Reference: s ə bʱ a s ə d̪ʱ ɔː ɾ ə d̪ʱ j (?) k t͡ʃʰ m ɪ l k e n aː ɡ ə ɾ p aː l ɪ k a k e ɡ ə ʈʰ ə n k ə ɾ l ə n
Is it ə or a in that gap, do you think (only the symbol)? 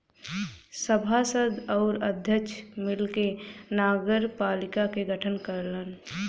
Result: ə